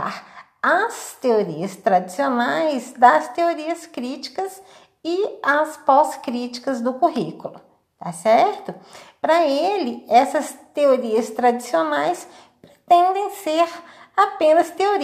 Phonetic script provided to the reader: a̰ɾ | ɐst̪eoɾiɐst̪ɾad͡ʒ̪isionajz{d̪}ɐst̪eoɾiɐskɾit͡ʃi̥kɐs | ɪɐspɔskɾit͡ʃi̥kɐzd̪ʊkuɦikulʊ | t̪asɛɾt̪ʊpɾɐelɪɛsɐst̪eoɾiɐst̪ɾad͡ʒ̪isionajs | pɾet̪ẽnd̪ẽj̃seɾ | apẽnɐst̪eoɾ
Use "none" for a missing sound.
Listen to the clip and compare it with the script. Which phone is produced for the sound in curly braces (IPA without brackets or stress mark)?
d̪